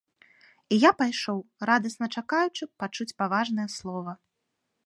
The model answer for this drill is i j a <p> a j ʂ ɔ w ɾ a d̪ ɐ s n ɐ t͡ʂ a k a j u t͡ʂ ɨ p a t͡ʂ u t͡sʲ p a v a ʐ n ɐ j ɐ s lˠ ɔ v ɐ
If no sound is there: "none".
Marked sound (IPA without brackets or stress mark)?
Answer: p